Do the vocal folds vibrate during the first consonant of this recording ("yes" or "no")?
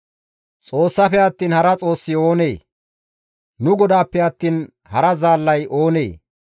no